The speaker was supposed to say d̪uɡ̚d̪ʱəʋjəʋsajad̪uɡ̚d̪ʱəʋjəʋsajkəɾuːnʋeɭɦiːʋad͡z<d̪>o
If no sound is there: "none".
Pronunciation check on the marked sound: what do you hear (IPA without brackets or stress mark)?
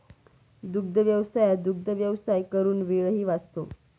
t̪